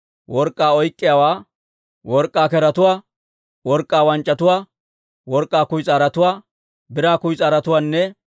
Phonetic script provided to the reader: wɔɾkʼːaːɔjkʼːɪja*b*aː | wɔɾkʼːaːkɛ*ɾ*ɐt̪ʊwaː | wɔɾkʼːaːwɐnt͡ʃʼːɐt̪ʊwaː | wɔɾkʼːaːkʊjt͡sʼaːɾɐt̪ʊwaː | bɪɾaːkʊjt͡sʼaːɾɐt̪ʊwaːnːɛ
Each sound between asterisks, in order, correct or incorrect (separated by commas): incorrect, correct